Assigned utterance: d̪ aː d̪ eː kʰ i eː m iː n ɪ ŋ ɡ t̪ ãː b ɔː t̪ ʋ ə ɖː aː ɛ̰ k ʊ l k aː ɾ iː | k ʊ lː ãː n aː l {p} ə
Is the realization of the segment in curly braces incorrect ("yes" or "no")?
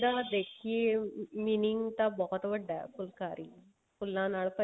no